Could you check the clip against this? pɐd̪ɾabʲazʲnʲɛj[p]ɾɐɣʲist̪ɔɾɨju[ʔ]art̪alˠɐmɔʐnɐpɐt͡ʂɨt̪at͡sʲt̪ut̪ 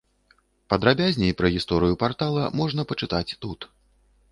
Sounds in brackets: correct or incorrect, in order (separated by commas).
correct, incorrect